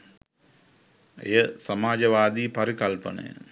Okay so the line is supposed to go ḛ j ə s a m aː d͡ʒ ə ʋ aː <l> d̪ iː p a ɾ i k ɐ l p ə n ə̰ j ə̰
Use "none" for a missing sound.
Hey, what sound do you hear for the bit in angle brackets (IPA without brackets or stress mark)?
none